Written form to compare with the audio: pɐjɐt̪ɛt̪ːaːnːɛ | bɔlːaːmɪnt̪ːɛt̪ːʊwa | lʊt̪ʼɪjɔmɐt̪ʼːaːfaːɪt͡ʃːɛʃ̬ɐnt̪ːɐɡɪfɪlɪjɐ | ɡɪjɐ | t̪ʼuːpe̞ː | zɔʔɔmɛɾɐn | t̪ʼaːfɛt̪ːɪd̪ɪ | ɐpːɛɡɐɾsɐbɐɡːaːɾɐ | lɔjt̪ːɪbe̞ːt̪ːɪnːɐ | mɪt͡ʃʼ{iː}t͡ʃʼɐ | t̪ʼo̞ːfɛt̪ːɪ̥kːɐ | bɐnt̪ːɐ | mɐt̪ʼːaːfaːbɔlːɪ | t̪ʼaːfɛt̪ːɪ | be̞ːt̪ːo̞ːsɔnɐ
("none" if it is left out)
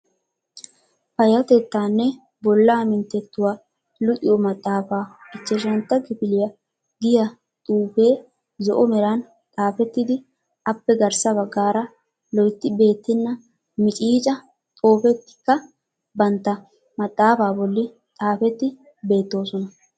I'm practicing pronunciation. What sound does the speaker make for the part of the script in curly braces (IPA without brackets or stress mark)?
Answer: iː